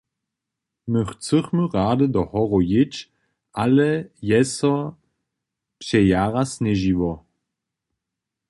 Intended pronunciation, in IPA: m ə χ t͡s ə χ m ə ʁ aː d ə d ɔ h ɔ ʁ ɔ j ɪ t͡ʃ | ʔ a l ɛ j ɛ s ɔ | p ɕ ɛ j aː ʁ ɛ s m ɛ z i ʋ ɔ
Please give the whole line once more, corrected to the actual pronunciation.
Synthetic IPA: m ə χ t͡s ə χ m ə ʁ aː d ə d ɔ h ɔ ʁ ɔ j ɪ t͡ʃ | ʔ a l ɛ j ɛ s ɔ | p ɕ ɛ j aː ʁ a s n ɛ ʒ i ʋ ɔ